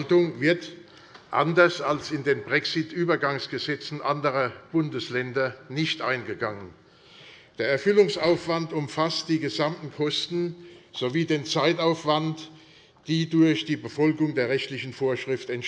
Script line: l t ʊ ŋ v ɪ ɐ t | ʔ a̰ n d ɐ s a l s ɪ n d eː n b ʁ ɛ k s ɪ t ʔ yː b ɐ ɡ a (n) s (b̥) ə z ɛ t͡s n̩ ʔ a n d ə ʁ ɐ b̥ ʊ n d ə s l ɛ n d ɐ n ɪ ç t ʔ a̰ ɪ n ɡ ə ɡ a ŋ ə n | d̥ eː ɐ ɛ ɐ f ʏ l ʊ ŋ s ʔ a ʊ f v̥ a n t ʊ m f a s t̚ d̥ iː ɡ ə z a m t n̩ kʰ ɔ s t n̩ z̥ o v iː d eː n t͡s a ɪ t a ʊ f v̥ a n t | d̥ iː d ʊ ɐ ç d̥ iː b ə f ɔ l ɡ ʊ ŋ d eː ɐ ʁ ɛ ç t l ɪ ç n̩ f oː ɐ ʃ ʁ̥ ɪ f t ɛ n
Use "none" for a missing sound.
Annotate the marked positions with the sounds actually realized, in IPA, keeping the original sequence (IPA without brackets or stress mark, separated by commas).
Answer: ŋ, ɡ̥